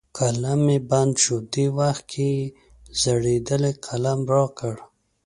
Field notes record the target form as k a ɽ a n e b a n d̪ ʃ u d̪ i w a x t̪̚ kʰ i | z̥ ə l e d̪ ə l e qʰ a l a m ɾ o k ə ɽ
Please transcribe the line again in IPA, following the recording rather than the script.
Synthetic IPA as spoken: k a l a m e b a n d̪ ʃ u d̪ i w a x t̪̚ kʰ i | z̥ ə ɽ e d̪ ə l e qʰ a l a m ɾ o k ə ɽ